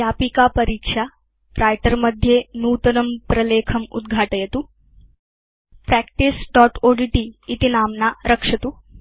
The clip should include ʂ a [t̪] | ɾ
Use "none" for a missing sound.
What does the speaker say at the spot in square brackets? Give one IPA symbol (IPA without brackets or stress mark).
none